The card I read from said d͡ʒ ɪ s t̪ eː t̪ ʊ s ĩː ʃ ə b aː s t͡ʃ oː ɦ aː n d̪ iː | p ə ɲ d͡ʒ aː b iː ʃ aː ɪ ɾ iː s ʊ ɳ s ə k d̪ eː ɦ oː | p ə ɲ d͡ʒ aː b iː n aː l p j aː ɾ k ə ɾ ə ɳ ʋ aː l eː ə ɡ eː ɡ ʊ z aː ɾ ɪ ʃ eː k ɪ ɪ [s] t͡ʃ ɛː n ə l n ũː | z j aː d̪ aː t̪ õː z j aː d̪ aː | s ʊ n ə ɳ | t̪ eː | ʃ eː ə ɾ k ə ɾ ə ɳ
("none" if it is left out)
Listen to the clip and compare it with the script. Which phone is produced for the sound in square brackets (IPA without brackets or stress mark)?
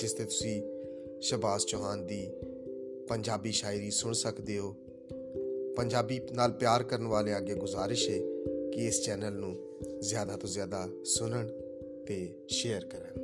s